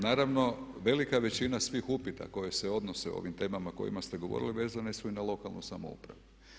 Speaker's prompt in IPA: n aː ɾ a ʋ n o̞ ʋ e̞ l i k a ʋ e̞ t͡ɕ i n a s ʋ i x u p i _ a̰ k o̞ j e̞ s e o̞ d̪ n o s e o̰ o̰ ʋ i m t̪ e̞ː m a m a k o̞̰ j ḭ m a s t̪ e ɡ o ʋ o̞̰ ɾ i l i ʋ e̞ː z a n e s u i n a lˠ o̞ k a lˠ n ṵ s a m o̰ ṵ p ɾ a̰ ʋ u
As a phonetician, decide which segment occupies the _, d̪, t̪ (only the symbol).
t̪